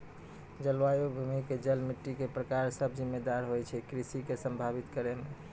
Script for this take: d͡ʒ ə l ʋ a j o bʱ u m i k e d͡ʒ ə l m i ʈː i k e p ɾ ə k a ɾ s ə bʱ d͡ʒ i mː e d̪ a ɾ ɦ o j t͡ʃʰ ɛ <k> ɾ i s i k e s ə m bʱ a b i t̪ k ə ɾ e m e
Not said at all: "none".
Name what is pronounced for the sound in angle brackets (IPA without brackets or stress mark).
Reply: k